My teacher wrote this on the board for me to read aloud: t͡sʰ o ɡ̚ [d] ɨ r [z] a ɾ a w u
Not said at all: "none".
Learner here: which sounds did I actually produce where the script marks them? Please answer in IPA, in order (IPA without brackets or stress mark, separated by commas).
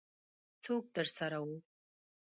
d, s